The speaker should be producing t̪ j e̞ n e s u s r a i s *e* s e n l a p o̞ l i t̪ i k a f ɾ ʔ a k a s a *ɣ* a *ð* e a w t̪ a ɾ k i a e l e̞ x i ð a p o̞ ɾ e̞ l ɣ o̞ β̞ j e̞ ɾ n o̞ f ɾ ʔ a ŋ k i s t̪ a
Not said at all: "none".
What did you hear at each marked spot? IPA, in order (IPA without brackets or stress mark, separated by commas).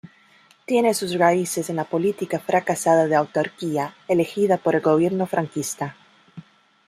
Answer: e, ð, ð